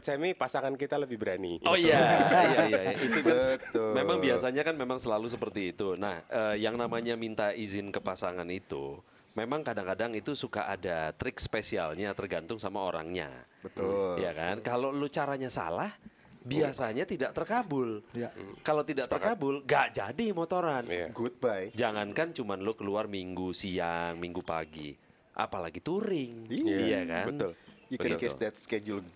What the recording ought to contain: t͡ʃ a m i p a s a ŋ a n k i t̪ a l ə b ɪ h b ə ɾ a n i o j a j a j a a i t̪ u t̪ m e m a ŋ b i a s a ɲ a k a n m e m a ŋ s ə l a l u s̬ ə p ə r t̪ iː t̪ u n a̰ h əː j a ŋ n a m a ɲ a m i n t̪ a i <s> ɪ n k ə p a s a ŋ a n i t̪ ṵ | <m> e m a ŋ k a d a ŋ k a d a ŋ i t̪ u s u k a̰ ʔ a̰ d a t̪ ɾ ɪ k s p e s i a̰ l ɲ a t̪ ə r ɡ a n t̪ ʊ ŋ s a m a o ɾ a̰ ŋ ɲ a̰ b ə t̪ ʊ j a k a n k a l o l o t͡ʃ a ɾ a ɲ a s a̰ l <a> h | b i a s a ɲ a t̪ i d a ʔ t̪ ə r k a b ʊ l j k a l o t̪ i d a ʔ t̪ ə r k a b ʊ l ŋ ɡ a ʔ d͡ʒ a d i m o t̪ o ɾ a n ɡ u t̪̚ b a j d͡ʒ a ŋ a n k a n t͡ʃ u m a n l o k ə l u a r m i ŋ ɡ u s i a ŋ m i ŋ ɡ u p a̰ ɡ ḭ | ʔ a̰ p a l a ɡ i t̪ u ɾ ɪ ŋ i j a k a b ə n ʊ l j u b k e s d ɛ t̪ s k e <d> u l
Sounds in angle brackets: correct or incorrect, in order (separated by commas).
incorrect, correct, correct, incorrect